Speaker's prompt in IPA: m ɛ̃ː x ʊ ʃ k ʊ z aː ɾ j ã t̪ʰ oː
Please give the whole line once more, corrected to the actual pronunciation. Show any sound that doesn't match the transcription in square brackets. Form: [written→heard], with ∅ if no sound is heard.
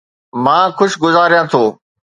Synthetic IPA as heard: m [ɛ̃ː→ãː] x ʊ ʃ [k→ɡ] ʊ z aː ɾ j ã t̪ʰ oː